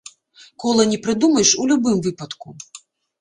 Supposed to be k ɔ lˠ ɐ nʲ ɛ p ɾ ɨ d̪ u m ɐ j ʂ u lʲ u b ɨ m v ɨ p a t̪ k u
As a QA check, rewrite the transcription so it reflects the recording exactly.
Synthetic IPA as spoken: k ɔ lˠ ɐ nʲ ɛ p ɾ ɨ d̪ u m ɐ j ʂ u lʲ u b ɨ m v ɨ p ɐ t̪ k u